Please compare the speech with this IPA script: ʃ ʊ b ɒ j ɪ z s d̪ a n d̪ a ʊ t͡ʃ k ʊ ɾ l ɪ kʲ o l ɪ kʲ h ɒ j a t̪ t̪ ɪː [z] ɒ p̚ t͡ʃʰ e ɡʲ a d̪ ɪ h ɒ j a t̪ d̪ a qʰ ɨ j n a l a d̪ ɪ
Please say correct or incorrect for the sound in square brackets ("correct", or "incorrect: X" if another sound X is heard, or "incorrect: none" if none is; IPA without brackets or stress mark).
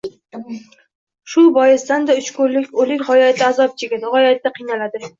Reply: correct